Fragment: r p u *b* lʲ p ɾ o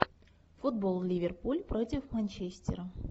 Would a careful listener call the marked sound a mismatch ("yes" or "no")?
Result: yes